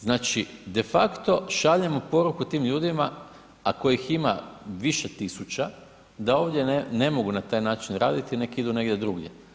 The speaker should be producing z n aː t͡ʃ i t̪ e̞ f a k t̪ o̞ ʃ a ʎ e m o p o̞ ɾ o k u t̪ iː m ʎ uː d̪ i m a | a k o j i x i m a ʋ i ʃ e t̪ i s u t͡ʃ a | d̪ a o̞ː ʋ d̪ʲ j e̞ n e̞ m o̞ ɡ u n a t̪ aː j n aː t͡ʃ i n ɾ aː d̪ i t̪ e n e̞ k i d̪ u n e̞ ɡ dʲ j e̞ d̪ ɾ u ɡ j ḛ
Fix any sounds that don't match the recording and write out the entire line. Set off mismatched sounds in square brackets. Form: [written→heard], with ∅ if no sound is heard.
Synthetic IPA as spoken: z n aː t͡ʃ i [t̪→d̪] e̞ f a k t̪ o̞ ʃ a ʎ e m o p o̞ ɾ [o→u] k u t̪ iː m ʎ uː d̪ i m a | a k o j i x i m a ʋ i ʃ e t̪ i s u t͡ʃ a | d̪ a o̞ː ʋ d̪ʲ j e̞ n e̞ m o̞ ɡ u n a t̪ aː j n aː t͡ʃ i n ɾ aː d̪ i t̪ [e→i] n e̞ k i d̪ u n e̞ ɡ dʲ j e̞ d̪ ɾ u ɡ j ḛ